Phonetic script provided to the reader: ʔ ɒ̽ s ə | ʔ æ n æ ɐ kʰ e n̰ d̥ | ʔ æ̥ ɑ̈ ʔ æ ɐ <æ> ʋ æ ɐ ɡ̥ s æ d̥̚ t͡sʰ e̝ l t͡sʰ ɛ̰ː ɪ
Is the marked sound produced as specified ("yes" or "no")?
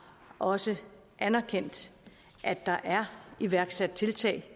no